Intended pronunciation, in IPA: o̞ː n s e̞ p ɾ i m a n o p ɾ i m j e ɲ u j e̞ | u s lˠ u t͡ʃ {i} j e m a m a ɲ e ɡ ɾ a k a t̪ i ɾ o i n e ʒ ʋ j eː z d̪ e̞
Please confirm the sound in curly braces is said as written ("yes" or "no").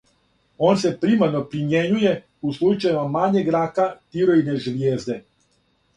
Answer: no